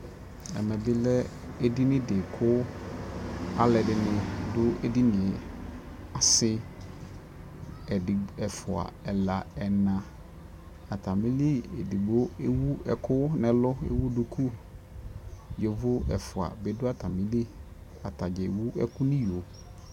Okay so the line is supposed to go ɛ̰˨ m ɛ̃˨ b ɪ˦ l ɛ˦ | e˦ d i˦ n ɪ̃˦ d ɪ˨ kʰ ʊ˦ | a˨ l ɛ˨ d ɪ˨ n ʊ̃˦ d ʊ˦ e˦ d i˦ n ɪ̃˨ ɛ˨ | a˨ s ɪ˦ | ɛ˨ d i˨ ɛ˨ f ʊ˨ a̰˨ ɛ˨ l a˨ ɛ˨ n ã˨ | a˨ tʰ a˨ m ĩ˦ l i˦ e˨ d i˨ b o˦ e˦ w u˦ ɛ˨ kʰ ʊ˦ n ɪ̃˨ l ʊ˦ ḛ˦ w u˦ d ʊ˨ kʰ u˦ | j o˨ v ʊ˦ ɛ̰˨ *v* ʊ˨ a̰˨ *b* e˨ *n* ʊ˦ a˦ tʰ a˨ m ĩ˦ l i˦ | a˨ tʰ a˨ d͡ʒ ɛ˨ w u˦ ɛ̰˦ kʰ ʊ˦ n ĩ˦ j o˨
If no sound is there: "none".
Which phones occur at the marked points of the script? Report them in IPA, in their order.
f, b, d

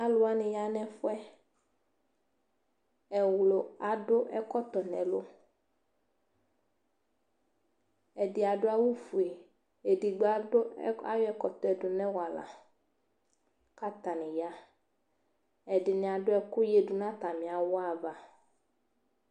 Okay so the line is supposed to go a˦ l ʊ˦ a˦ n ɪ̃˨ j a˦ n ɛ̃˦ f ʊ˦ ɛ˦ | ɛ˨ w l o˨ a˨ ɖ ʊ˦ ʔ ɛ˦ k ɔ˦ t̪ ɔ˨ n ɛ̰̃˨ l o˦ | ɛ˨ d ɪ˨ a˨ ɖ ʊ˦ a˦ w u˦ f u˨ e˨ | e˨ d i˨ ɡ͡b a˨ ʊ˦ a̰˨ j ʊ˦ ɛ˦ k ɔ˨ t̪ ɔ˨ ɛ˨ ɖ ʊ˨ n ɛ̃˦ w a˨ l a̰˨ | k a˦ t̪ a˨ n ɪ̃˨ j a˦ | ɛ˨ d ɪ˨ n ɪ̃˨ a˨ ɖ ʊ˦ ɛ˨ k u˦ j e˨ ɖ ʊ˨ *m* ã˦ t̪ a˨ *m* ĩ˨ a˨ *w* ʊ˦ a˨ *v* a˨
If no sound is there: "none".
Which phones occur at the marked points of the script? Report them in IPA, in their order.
n, m, w, v

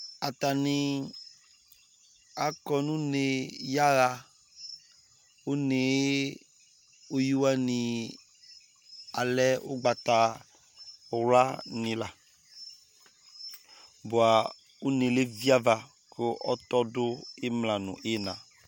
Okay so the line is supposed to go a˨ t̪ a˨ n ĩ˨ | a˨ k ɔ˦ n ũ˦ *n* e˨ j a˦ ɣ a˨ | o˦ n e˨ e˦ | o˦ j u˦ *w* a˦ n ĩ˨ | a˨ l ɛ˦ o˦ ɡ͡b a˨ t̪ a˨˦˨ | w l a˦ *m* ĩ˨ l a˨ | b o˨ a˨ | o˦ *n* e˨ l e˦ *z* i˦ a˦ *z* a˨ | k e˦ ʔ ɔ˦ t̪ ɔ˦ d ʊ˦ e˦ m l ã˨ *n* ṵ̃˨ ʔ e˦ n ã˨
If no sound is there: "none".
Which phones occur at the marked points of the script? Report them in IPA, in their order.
n, w, n, n, v, v, n

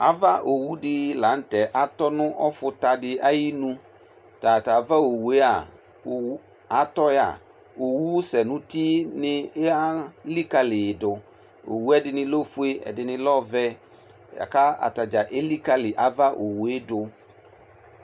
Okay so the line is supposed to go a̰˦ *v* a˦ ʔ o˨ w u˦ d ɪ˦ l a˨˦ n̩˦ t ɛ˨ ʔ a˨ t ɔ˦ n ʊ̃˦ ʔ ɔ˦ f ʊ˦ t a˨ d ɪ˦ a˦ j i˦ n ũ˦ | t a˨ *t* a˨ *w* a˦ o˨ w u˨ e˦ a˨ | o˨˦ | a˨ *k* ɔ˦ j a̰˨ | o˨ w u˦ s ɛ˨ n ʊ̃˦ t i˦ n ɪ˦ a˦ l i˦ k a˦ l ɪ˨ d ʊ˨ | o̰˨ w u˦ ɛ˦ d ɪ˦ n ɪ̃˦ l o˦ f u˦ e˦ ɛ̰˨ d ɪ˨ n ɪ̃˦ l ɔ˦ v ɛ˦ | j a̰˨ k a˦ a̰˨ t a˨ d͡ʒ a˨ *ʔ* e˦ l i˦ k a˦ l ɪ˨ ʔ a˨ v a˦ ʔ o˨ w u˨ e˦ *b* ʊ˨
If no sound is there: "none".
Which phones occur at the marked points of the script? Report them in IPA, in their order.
v, t, v, t, ʔ, d

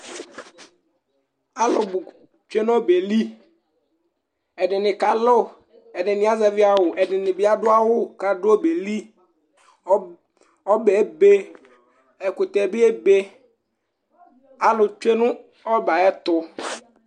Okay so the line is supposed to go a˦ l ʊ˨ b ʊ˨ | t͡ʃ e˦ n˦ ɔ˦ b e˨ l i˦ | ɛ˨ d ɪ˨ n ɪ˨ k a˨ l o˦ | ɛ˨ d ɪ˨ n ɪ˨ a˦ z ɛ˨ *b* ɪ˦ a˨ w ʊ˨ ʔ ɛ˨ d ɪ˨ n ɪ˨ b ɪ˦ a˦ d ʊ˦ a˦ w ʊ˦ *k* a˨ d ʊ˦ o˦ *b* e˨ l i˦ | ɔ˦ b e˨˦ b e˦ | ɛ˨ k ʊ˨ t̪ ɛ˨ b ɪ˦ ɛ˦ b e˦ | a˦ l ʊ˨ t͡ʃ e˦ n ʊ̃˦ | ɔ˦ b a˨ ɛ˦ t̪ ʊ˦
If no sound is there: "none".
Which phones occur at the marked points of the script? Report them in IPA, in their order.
v, k, b

